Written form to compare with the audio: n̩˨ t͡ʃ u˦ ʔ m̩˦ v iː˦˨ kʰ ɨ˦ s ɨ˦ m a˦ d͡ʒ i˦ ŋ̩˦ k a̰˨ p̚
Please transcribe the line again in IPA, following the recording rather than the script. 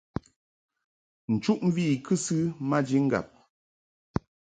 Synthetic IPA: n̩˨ t͡ʃ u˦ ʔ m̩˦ v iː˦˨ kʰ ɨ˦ s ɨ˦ m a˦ d͡ʒ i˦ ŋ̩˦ ɡ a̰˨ p̚